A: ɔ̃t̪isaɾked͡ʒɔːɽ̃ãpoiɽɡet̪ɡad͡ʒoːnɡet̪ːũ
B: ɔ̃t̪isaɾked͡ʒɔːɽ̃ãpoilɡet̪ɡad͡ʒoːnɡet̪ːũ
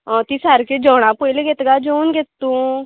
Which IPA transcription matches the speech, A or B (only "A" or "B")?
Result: B